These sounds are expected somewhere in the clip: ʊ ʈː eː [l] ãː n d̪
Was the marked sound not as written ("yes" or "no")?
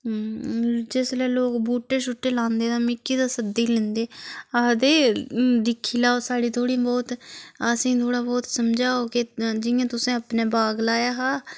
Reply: no